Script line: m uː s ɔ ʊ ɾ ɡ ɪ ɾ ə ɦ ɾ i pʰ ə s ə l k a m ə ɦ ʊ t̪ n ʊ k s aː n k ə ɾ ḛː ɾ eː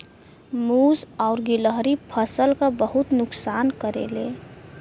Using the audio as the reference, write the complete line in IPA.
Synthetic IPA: m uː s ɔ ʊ ɾ ɡ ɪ l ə ɦ ɾ i pʰ ə s ə l k a b ə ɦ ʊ t̪ n ʊ k s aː n k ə ɾ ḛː l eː

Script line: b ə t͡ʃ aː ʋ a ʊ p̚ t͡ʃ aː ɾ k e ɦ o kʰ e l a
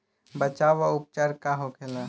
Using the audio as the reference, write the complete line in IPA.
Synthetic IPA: b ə t͡ʃ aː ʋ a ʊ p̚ t͡ʃ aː ɾ k a ɦ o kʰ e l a

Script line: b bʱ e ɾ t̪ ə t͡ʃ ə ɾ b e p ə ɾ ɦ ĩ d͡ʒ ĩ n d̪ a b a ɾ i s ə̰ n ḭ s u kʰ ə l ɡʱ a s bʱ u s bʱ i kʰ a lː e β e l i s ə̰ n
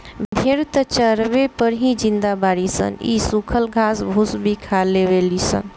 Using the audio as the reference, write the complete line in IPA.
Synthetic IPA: b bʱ e ɾ t̪ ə t͡ʃ ə ɾ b e p ə ɾ ɦ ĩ d͡ʒ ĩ n d̪ a b a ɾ i s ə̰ n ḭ s u kʰ ə l ɡʱ a s bʱ u s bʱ i kʰ a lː e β e l i s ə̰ n

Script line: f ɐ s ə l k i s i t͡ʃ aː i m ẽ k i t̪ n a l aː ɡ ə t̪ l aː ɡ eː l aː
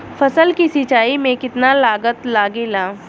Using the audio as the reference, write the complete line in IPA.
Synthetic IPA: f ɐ s ə l k i s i t͡ʃ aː i m ẽ k ɪ t̪ n a l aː ɡ ə t̪ l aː ɡ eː l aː

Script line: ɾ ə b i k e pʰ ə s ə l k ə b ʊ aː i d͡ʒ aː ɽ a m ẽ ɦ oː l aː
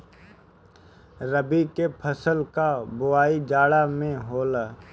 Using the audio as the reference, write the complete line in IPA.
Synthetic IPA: ɾ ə b i k e pʰ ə s ə l k a b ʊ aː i d͡ʒ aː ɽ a m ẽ ɦ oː l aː

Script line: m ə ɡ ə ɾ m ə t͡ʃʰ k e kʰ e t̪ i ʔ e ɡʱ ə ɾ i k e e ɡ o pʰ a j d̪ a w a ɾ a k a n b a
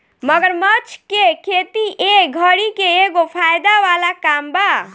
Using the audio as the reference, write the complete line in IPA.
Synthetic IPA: m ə ɡ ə ɾ m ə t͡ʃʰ k e kʰ e t̪ i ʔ e ɡʱ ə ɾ i k e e ɡ o pʰ a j d̪ a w a l a k a m b a

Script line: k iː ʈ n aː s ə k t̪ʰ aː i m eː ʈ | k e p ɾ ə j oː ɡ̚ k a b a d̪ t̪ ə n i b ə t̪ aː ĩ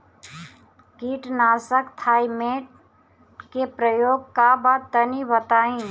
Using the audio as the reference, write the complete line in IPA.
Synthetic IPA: k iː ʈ n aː s ə k t̪ʰ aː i m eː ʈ | k e p ɾ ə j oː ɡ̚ k a b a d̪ t̪ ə n i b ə t̪ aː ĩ

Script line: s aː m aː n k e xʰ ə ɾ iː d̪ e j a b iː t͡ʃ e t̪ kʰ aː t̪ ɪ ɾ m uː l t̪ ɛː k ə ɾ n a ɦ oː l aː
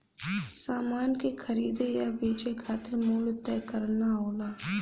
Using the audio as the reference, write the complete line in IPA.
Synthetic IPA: s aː m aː n k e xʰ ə ɾ iː d̪ e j a b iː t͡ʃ e kʰ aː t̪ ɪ ɾ m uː l t̪ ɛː k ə ɾ n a ɦ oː l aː

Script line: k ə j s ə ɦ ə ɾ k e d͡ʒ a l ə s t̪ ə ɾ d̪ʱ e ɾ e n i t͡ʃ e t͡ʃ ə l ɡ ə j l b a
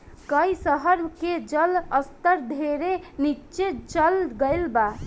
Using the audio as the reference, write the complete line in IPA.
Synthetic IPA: k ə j s ə ɦ ə ɾ k e d͡ʒ ə l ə s t̪ ə ɾ d̪ʱ e ɾ e n i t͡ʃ e t͡ʃ ə l ɡ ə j l b a

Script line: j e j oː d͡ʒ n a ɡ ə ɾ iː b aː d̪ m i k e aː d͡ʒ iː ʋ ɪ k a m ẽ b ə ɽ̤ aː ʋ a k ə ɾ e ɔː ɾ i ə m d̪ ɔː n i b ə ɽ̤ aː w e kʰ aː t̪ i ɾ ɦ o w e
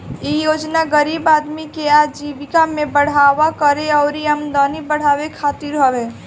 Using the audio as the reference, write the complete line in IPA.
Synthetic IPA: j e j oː d͡ʒ n a ɡ ə ɾ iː b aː d̪ m i k e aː d͡ʒ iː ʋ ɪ k a m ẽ b ə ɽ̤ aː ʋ a k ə ɾ e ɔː ɾ i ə m d̪ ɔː n i b ə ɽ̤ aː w e kʰ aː t̪ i ɾ ɦ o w e

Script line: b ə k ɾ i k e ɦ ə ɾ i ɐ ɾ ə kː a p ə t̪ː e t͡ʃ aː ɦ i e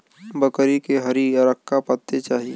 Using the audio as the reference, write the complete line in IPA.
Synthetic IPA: b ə k ɾ i k e ɦ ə ɾ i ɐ ɾ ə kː a p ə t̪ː e t͡ʃ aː ɦ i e

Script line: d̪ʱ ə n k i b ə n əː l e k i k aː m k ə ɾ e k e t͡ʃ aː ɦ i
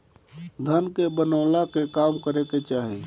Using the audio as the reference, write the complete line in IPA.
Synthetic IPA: d̪ʱ ə n k e b ə n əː l a k e k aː m k ə ɾ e k e t͡ʃ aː ɦ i

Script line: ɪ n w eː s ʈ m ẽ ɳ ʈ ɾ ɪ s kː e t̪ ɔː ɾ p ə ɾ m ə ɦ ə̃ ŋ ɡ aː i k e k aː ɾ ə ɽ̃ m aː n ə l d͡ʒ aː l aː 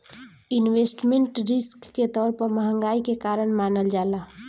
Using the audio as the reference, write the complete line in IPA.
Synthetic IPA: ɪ n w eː s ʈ m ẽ ɳ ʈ ɾ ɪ s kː e t̪ ɔː ɾ p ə ɾ m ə ɦ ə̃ ŋ ɡ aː i k e k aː ɾ ə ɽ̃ m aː n ə l d͡ʒ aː l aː

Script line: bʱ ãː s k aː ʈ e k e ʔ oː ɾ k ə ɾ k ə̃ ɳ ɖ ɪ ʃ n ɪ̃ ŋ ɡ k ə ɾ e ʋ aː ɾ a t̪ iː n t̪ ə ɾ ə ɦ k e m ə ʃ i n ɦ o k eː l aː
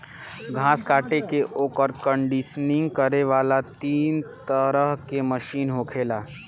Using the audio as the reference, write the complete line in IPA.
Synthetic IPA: ɡʱ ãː s k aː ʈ e k e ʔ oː k ə ɾ k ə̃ ɳ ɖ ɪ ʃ n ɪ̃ ŋ ɡ k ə ɾ e ʋ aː l a t̪ iː n t̪ ə ɾ ə ɦ k e m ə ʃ iː n ɦ o kʰ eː l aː

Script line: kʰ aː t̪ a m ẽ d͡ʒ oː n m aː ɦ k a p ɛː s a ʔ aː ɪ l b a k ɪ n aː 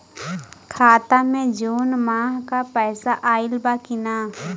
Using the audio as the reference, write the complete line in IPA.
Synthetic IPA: kʰ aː t̪ a m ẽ d͡ʒ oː n m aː ɦ k a p ɛː s a ʔ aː ɪ l b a k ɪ n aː

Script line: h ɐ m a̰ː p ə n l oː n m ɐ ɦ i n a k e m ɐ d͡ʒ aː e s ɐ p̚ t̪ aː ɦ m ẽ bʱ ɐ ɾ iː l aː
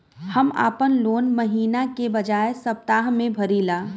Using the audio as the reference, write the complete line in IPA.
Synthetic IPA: h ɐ m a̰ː p ə n l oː n m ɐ ɦ iː n a k e b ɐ d͡ʒ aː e s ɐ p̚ t̪ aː ɦ m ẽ bʱ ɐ ɾ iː l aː

